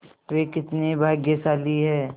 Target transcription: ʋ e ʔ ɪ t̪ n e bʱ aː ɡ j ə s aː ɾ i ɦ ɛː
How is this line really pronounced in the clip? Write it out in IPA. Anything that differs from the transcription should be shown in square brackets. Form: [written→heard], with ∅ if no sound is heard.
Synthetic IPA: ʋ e [ʔ→k] ɪ t̪ n e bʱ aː ɡ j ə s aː [ɾ→l] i ɦ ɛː